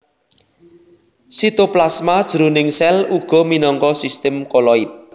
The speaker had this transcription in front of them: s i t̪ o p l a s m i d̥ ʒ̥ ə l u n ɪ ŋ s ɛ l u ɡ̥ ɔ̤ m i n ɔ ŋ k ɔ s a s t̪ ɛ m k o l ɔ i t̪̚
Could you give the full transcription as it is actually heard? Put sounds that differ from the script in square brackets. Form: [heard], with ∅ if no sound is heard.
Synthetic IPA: s i t̪ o p l a s m [a] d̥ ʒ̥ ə [ɾ] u n ɪ ŋ s ɛ l u ɡ̥ ɔ̤ m i n ɔ ŋ k ɔ s [i] s t̪ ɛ m k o l ɔ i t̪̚